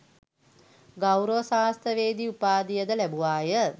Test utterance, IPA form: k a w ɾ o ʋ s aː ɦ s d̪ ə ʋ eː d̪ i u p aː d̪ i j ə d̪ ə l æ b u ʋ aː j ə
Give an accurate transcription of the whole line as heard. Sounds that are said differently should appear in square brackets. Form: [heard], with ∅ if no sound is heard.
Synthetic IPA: [ɡ] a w ɾ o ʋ s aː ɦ s [t̪] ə ʋ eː d̪ i u p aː d̪ i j ə d̪ ə l æ b u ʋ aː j ə